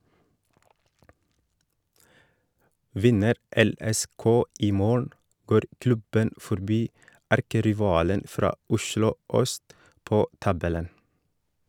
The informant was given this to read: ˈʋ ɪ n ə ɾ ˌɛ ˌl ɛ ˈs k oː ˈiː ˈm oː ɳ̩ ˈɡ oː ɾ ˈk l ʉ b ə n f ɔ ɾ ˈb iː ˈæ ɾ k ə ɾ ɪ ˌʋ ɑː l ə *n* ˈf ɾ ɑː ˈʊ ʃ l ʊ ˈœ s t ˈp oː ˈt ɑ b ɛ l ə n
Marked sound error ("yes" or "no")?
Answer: no